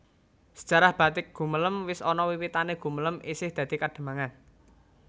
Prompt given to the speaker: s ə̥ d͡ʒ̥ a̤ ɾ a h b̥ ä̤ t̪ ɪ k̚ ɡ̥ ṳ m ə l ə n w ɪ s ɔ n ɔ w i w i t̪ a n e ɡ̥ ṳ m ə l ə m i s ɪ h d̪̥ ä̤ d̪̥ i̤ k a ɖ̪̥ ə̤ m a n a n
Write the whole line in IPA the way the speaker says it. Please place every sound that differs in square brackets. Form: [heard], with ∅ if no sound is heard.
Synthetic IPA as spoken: s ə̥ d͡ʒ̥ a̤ ɾ a h b̥ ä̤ t̪ ɪ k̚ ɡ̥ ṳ m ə l ə [m] w ɪ s ɔ n ɔ w i w i t̪ a n e ɡ̥ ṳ m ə l ə m i s ɪ h d̪̥ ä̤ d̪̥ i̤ k a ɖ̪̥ ə̤ m a [ŋ] a n